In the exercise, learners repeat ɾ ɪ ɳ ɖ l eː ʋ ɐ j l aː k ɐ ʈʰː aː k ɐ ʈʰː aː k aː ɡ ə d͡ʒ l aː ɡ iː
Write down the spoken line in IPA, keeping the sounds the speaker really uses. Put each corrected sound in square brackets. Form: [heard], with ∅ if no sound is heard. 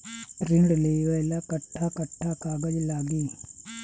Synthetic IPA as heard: ɾ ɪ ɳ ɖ l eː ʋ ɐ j l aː k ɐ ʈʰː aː k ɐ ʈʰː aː k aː ɡ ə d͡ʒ l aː ɡ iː